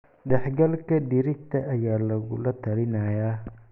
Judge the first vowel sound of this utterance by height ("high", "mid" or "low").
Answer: mid